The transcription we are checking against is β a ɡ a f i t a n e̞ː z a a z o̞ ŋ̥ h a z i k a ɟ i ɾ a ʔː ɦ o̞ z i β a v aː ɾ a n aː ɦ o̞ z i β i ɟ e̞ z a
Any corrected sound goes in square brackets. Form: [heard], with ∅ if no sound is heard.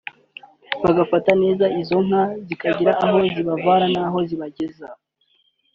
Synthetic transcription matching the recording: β a ɡ a f [a] t a n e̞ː z a [i] z o̞ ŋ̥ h a z i k a ɟ i ɾ a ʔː ɦ o̞ z i β a v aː ɾ a n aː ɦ o̞ z i β [a] ɟ e̞ z a